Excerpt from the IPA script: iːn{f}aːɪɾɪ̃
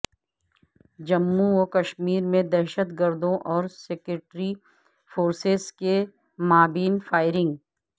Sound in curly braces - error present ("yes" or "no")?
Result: no